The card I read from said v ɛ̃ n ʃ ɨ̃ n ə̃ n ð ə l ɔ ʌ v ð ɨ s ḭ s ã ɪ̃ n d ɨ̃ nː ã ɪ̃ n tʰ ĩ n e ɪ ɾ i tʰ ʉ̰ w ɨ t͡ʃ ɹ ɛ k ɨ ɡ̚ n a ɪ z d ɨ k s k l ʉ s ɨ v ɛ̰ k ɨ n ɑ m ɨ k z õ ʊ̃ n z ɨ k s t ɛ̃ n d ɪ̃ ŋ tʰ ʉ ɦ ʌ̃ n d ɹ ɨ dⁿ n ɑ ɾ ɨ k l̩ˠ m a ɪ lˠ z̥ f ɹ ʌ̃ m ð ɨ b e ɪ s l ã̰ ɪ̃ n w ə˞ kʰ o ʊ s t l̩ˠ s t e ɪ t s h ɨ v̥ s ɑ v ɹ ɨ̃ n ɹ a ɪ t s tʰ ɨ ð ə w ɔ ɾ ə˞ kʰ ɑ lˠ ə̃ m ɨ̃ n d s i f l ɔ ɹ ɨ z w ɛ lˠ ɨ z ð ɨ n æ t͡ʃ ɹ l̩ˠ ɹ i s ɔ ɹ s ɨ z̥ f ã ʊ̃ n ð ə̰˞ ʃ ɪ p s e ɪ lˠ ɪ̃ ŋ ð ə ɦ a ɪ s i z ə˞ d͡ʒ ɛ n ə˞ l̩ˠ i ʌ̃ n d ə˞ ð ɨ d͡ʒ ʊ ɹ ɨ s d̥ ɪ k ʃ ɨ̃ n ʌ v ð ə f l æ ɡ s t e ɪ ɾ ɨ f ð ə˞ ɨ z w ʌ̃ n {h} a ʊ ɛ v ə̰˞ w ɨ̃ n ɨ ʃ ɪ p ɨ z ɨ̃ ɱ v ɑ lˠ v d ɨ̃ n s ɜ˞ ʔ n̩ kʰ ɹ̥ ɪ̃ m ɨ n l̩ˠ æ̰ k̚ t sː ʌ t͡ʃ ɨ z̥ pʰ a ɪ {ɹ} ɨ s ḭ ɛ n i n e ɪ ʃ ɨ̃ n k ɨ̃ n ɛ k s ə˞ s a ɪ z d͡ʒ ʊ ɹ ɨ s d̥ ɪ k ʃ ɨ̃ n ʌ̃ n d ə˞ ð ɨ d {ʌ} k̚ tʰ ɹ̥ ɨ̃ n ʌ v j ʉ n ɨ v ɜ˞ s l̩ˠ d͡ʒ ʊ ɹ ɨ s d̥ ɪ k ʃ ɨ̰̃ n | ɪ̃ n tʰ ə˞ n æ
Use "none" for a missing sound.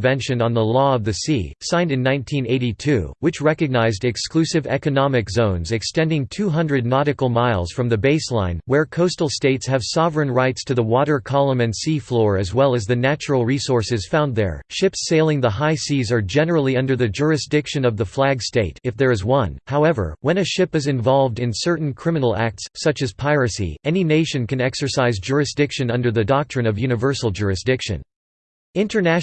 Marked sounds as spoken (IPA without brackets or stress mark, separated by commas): h, ɹ, ɑ